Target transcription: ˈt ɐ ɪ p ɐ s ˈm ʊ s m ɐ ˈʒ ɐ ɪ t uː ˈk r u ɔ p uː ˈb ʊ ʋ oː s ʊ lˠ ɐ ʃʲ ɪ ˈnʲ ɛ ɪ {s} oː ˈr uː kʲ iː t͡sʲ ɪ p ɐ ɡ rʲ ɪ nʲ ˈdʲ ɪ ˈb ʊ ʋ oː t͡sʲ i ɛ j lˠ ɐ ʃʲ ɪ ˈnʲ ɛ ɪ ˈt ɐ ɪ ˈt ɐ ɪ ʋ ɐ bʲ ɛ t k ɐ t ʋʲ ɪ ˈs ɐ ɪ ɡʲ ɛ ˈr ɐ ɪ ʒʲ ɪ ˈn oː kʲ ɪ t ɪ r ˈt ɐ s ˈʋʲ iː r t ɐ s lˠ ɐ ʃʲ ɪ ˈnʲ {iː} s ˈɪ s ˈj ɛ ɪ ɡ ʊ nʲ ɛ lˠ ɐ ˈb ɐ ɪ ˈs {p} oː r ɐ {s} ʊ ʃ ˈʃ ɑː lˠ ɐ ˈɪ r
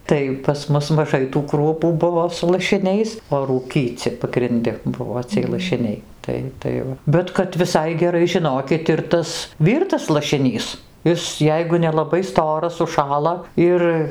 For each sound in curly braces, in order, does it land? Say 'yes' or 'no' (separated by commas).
yes, yes, no, yes